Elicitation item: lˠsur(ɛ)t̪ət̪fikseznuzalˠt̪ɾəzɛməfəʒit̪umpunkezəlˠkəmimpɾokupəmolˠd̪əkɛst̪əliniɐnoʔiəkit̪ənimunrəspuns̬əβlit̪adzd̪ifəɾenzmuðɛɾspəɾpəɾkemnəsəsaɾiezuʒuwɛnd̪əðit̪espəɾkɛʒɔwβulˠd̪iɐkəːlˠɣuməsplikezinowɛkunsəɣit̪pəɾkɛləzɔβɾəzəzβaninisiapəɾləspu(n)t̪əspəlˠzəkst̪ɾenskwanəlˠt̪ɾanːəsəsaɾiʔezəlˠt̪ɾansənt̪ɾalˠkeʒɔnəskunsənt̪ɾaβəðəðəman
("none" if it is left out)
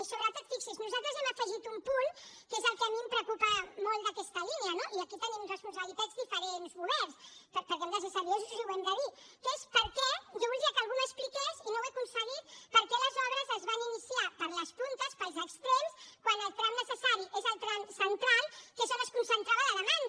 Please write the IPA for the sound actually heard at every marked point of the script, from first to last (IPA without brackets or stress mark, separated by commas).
a, n